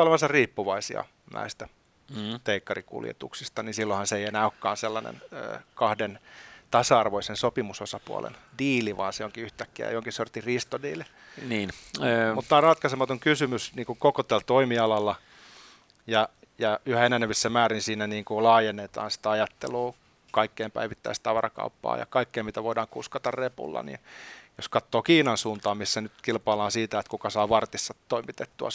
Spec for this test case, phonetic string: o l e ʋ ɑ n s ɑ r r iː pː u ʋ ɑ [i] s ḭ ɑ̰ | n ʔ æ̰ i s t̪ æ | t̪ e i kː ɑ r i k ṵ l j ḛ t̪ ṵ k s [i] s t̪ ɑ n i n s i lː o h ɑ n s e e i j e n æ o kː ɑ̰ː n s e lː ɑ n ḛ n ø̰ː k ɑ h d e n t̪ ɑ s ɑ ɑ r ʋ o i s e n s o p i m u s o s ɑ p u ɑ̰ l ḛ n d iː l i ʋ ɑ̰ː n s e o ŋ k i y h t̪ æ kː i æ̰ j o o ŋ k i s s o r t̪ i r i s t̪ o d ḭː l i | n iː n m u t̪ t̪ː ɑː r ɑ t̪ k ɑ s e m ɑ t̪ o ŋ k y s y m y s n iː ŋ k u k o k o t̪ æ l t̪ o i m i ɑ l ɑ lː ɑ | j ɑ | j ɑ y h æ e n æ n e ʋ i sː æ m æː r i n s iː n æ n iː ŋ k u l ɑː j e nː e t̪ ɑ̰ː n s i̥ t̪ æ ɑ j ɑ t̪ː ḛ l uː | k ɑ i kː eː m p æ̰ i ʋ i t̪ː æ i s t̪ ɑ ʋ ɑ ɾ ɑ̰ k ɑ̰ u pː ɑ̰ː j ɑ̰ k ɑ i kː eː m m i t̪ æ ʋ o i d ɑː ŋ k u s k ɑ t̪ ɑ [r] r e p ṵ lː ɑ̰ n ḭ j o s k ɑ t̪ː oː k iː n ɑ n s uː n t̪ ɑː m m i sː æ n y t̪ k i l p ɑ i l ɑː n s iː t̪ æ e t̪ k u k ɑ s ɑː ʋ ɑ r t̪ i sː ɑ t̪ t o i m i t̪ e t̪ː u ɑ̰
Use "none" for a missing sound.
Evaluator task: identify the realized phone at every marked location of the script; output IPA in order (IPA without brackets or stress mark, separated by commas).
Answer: i, i, r